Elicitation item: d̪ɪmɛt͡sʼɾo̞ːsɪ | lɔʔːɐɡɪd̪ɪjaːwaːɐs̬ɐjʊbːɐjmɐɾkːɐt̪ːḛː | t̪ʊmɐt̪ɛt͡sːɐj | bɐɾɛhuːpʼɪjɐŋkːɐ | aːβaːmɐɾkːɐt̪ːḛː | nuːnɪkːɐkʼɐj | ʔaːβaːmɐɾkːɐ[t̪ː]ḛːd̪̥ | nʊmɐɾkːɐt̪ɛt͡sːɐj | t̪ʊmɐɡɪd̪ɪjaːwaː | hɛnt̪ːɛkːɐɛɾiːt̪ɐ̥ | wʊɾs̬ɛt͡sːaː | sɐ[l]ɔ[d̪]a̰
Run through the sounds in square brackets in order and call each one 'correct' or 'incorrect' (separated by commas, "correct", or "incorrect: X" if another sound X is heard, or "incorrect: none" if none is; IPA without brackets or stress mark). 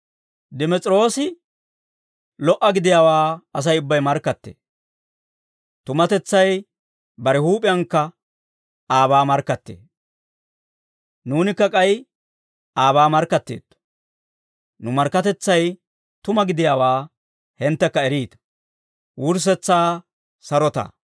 correct, incorrect: ɾ, incorrect: t̪